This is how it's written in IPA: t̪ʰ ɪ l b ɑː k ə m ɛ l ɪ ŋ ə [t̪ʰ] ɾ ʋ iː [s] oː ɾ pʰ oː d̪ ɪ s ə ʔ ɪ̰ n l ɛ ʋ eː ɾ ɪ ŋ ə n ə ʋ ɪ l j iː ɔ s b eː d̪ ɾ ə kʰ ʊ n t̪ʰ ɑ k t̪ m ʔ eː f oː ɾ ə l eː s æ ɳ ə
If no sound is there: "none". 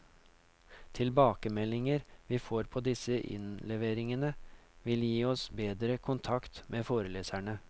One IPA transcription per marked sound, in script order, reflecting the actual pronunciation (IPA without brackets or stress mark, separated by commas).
none, f